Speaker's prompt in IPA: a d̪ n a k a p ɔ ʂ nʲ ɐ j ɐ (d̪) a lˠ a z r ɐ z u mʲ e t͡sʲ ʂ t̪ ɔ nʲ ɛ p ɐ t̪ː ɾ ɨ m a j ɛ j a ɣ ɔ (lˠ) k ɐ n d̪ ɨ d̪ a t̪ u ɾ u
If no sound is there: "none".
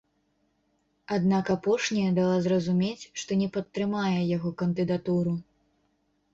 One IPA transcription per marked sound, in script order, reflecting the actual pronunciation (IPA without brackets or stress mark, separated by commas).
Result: d̪, none